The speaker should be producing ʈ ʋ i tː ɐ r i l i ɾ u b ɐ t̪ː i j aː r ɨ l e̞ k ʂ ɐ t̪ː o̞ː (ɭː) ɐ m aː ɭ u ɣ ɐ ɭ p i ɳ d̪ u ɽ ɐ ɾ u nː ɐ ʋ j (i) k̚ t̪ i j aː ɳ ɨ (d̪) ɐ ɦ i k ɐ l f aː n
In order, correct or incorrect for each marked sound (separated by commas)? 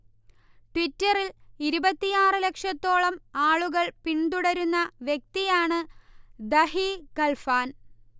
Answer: incorrect, incorrect, correct